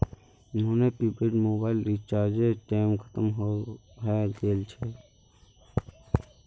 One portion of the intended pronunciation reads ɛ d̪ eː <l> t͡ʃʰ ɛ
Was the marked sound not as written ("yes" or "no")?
no